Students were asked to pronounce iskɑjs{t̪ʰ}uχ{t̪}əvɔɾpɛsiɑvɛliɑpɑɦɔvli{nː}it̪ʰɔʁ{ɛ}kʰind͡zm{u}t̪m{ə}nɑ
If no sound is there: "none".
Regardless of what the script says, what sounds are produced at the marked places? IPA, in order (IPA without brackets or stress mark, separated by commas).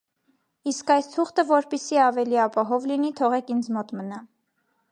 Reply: t̪ʰ, t̪, n, ɛ, ɔ, ə